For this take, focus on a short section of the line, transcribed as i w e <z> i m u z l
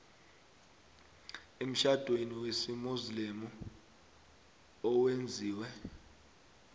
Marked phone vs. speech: incorrect: s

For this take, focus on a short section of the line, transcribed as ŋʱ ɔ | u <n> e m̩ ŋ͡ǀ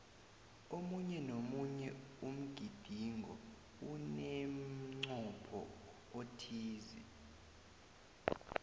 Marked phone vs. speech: correct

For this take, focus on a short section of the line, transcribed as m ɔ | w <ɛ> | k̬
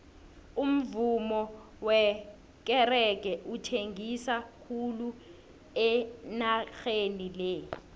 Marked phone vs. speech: correct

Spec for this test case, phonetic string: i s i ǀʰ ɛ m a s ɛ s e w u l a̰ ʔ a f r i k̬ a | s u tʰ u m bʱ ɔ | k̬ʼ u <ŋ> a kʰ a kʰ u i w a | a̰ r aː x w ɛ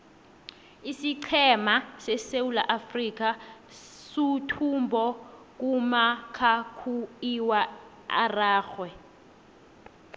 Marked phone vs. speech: incorrect: m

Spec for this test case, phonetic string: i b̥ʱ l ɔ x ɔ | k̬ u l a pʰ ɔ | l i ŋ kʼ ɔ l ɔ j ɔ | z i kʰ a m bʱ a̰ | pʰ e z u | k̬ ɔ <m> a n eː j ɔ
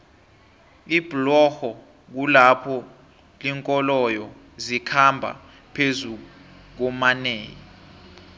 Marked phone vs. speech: correct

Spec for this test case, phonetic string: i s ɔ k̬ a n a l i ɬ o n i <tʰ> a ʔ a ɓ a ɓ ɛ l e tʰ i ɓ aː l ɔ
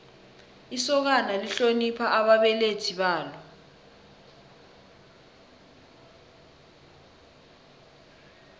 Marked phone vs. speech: incorrect: pʰ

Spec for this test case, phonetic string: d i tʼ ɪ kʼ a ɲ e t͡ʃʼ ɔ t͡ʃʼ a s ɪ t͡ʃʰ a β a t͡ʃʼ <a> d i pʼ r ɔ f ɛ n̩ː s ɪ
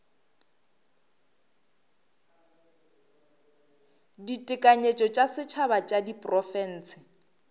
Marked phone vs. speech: correct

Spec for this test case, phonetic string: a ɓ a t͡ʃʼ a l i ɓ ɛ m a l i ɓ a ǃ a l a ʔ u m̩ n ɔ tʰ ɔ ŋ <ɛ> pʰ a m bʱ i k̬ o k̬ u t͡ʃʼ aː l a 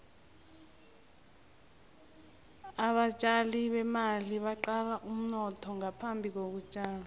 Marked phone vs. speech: incorrect: a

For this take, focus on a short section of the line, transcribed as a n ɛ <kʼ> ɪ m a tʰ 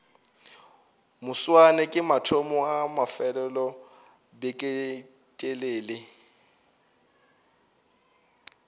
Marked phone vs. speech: correct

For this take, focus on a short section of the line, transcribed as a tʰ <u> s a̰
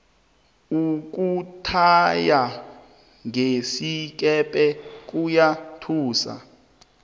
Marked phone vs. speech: incorrect: uː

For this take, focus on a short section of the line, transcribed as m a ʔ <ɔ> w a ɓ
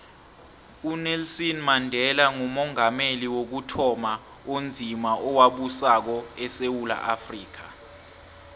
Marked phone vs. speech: correct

